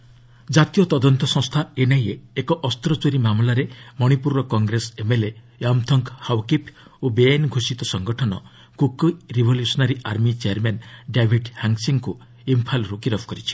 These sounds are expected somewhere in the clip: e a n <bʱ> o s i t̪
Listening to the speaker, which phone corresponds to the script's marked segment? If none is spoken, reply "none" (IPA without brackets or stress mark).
ɡʱ